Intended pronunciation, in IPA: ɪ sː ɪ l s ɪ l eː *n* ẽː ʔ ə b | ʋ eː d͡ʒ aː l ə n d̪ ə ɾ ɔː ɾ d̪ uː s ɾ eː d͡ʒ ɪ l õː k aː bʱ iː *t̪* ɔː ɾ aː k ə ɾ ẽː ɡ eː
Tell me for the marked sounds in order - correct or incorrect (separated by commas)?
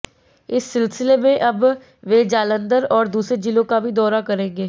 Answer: incorrect, incorrect